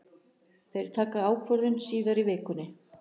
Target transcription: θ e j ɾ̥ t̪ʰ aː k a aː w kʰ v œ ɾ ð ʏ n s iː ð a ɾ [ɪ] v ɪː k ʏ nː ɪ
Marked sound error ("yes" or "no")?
yes